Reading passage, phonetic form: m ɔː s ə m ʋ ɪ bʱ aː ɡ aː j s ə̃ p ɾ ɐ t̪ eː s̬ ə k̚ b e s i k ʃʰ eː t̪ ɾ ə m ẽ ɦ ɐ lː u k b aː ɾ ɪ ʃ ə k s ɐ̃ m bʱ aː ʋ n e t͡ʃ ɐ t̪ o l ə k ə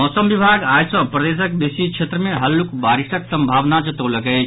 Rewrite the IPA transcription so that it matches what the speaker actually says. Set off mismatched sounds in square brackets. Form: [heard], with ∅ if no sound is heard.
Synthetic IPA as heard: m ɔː s ə m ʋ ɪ bʱ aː ɡ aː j s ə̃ p ɾ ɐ [d̪] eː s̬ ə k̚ b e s i k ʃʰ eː t̪ ɾ ə m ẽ ɦ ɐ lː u k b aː ɾ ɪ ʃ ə k s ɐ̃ m bʱ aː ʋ n [a] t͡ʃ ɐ t̪ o l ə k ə